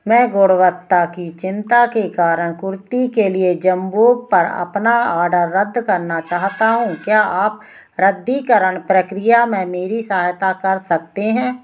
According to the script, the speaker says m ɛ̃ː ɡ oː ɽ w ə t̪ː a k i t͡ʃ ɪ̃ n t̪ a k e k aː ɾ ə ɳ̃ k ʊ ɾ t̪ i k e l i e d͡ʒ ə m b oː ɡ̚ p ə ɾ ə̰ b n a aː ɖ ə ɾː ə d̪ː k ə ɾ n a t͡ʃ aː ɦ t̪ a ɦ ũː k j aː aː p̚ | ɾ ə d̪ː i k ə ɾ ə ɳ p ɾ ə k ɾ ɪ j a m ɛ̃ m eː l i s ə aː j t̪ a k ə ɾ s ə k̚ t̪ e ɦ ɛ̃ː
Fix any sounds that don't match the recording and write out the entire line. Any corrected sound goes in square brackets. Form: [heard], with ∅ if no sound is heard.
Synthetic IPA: m ɛ̃ː ɡ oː ɽ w ə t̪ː a k i t͡ʃ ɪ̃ n t̪ a k e k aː ɾ ə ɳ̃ k ʊ ɾ t̪ i k e l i e d͡ʒ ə m b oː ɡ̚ p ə ɾ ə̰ [p] n a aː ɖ ə ɾː ə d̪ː k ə ɾ n a t͡ʃ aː ɦ t̪ a ɦ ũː k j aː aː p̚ | ɾ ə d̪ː i k ə ɾ ə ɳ p ɾ ə k ɾ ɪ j a m ɛ̃ m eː [ɾ] i s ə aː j t̪ a k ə ɾ s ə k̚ t̪ e ɦ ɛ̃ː

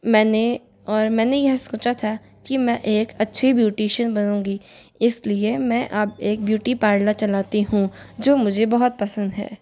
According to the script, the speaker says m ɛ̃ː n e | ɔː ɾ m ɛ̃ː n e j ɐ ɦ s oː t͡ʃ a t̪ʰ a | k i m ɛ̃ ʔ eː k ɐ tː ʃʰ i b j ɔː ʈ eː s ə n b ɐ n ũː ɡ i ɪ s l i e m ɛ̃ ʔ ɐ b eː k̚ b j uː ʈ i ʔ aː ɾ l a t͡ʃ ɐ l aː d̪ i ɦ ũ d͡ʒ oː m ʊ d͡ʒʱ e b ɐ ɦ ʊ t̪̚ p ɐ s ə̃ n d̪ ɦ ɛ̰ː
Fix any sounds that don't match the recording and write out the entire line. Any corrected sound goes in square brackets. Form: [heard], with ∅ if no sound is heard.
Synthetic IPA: m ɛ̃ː n e | ɔː ɾ m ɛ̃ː n e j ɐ ɦ s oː t͡ʃ a t̪ʰ a | k i m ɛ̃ ʔ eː k ɐ tː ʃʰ i b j [uː] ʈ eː [ʃ] ə n b ɐ n ũː ɡ i ɪ s l i e m ɛ̃ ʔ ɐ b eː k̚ b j uː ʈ i [p] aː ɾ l a t͡ʃ ɐ l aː [t̪] i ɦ ũ d͡ʒ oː m ʊ d͡ʒʱ e b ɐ ɦ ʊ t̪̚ p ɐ s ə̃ n d̪ ɦ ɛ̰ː

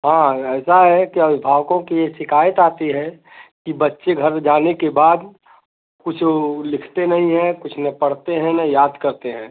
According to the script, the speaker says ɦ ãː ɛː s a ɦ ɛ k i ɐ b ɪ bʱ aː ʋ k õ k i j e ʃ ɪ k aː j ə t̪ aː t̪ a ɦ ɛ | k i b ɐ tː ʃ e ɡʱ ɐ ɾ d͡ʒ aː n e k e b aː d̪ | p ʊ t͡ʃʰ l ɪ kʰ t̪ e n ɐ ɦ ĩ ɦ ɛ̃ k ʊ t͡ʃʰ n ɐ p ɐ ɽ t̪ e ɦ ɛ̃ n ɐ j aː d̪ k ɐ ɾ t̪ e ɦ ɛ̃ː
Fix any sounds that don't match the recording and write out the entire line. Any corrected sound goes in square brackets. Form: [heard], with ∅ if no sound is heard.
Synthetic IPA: ɦ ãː ɛː s a ɦ ɛ k i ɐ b ɪ bʱ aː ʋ k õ k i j e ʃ ɪ k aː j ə t̪ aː t̪ [i] ɦ ɛ | k i b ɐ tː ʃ e ɡʱ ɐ ɾ d͡ʒ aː n e k e b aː d̪ | [k] ʊ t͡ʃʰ l ɪ kʰ t̪ e n ɐ ɦ ĩ ɦ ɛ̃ k ʊ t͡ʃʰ n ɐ p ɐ ɽ t̪ e ɦ ɛ̃ n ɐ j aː d̪ k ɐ ɾ t̪ e ɦ ɛ̃ː

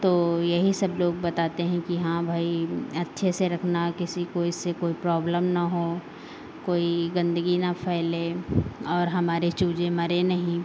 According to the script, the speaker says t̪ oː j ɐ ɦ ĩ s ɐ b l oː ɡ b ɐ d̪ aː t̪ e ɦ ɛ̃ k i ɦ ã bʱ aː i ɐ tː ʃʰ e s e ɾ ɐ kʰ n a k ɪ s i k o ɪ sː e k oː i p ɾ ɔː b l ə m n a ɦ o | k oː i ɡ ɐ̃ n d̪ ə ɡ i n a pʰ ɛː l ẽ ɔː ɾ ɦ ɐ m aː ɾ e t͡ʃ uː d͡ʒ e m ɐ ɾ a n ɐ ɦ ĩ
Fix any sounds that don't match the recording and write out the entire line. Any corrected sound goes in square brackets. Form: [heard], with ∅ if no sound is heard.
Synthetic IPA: t̪ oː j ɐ ɦ [i] s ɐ b l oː ɡ b ɐ [t̪] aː t̪ e ɦ ɛ̃ k i ɦ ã bʱ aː i ɐ tː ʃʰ e s e ɾ ɐ kʰ n a k ɪ s i k o ɪ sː e k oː i p ɾ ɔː b l ə m n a ɦ o | k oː i ɡ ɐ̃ n d̪ ə ɡ i n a pʰ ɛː l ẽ ɔː ɾ ɦ ɐ m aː ɾ e t͡ʃ uː d͡ʒ e m ɐ ɾ [e] n ɐ ɦ ĩ

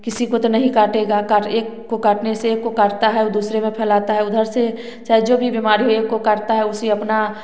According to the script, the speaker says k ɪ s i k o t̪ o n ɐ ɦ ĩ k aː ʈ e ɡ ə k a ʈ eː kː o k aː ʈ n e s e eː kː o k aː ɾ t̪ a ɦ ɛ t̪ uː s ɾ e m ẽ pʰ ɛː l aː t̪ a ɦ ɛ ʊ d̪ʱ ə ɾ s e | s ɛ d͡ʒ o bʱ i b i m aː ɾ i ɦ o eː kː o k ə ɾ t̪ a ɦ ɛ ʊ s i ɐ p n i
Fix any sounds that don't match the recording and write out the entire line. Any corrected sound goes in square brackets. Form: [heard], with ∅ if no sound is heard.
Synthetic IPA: k ɪ s i k o t̪ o n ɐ ɦ ĩ k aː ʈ e ɡ [a] k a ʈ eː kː o k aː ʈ n e s e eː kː o k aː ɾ t̪ a ɦ ɛ [d̪] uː s ɾ e m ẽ pʰ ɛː l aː t̪ a ɦ ɛ ʊ d̪ʱ ə ɾ s e | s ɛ d͡ʒ o bʱ i b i m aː ɾ i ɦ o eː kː o k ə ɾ t̪ a ɦ ɛ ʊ s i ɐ p n [a]

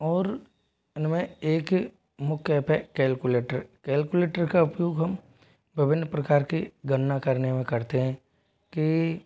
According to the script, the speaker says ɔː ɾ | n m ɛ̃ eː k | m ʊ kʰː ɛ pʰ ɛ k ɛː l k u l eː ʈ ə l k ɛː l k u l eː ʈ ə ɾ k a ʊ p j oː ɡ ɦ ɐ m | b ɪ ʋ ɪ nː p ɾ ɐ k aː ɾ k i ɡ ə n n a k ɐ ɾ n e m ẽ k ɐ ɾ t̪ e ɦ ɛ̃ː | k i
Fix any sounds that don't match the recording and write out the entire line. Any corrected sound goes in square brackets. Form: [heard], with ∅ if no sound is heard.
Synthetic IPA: ɔː ɾ | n m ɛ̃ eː k | m ʊ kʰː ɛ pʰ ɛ k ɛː l k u l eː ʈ ə [ɾ] k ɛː l k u l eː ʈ ə ɾ k a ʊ p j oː ɡ ɦ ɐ m | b ɪ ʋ ɪ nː p ɾ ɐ k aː ɾ k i ɡ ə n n a k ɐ ɾ n e m ẽ k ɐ ɾ t̪ e ɦ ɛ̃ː | k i

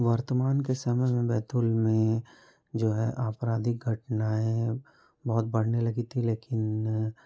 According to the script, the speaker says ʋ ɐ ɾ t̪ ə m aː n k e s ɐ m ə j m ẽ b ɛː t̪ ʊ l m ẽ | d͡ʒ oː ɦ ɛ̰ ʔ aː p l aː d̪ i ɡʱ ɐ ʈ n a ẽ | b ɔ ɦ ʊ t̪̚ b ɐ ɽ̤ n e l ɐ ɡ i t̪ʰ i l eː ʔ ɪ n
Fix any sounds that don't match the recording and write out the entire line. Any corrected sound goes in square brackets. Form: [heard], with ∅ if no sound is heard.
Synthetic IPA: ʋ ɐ ɾ t̪ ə m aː n k e s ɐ m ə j m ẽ b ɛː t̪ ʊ l m ẽ | d͡ʒ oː ɦ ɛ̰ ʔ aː p [ɾ] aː d̪ i ɡʱ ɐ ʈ n a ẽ | b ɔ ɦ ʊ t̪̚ b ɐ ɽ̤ n e l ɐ ɡ i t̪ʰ i l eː [k] ɪ n

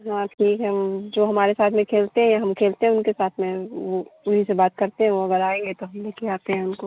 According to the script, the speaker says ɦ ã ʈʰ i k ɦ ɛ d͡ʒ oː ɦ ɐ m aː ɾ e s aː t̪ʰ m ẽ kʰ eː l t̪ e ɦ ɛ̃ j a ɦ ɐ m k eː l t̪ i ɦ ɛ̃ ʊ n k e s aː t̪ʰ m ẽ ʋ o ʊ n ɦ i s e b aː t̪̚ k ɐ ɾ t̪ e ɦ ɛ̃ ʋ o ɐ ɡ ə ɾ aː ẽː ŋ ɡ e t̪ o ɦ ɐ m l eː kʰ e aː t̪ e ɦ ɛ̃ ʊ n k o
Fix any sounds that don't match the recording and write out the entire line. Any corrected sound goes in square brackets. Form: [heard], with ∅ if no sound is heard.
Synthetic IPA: ɦ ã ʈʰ [iː] k ɦ ɛ d͡ʒ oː ɦ ɐ m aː ɾ e s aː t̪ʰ m ẽ kʰ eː l t̪ e ɦ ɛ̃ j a ɦ ɐ m [kʰ] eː l t̪ [e] ɦ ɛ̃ ʊ n k e s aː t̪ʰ m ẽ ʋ o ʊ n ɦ i s e b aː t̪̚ k ɐ ɾ t̪ e ɦ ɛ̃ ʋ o ɐ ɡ ə ɾ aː ẽː ŋ ɡ e t̪ o ɦ ɐ m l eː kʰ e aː t̪ e ɦ ɛ̃ ʊ n k o

